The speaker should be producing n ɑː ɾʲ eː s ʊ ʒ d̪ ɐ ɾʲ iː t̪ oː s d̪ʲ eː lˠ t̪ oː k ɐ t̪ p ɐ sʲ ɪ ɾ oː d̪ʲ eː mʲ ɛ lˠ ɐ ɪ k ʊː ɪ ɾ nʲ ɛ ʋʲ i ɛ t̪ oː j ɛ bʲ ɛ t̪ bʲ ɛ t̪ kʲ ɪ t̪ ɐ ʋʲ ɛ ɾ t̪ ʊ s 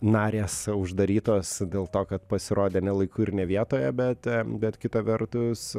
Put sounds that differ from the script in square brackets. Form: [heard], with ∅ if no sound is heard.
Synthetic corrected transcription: n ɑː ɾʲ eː s ʊ ʒ d̪ ɐ ɾʲ iː t̪ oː s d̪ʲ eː lˠ t̪ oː k ɐ t̪ p ɐ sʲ ɪ ɾ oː d̪ʲ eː [nʲ] ɛ lˠ ɐ ɪ k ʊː ɪ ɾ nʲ ɛ ʋʲ i ɛ t̪ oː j ɛ bʲ ɛ t̪ bʲ ɛ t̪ kʲ ɪ t̪ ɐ ʋʲ ɛ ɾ t̪ ʊ s